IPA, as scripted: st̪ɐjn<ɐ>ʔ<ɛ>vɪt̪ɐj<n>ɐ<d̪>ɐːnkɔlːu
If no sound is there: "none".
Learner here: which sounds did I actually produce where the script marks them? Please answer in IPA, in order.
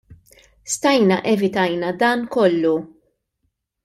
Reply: ɐ, ɛ, n, d̪

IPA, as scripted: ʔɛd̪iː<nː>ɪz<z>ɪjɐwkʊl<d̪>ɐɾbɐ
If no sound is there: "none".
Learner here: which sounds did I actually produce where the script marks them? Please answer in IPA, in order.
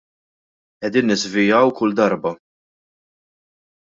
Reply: nː, v, d̪

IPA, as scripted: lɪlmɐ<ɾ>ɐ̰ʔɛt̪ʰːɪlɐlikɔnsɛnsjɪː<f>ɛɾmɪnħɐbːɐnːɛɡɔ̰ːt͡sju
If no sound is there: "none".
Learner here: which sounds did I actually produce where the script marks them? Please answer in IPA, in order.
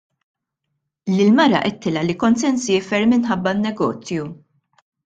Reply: ɾ, f

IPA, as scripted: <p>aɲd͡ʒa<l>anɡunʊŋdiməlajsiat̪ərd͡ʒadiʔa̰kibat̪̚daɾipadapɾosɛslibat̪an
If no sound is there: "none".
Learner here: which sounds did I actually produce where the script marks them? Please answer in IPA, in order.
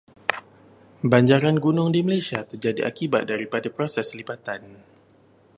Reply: b, ɾ

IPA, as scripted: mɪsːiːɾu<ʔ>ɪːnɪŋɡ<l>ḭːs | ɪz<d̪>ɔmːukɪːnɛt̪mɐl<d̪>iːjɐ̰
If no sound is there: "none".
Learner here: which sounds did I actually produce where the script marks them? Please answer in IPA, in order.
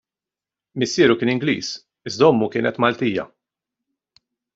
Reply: k, l, d̪, t̪

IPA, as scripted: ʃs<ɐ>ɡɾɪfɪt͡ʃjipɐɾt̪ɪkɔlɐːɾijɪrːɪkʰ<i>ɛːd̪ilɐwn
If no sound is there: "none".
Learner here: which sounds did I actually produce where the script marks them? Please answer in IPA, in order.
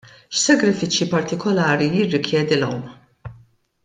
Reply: ɐ, j

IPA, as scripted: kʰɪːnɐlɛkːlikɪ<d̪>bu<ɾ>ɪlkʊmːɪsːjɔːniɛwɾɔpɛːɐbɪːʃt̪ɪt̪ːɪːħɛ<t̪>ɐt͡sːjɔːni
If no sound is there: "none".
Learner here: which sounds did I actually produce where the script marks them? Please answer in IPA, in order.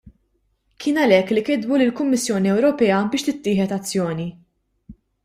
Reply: d̪, l, t̪

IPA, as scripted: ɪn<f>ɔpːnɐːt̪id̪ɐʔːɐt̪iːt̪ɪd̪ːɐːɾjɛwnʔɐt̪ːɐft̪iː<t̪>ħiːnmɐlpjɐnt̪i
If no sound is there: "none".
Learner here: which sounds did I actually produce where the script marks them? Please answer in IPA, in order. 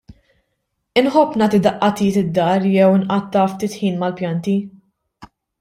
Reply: ħ, t̪

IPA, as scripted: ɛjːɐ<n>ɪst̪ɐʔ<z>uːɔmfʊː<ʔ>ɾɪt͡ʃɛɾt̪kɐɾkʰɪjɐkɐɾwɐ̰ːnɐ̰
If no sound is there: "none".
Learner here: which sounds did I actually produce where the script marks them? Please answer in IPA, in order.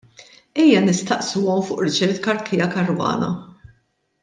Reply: n, s, ʔ

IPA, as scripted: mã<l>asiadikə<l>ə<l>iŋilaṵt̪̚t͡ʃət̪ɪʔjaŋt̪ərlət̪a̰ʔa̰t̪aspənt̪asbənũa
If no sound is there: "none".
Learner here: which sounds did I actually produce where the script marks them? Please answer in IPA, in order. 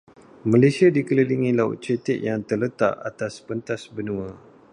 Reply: l, l, l

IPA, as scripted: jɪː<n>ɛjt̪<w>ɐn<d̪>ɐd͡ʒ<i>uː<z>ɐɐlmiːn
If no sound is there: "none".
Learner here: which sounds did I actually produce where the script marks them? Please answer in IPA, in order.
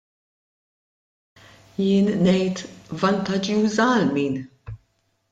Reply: nː, v, t̪, j, z

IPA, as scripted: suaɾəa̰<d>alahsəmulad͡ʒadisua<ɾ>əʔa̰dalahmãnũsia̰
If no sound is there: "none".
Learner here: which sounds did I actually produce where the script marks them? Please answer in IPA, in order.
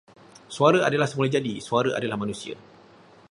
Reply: d, ɾ

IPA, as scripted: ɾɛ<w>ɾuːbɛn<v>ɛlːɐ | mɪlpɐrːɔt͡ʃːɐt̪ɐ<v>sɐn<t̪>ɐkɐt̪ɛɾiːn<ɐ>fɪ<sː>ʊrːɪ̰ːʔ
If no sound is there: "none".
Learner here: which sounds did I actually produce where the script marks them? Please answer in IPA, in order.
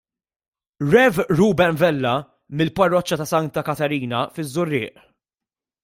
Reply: v, v, none, t̪, ɐ, zː

